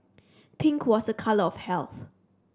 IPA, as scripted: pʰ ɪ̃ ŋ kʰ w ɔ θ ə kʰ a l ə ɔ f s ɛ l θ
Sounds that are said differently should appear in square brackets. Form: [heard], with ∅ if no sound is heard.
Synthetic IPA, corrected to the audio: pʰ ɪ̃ ŋ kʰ w ɔ [s] ə kʰ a l ə ɔ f [h] ɛ l θ